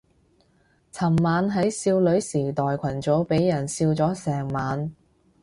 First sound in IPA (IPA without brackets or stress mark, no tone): t͡sʰ